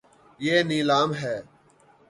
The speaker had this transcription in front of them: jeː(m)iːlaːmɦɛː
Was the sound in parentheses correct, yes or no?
no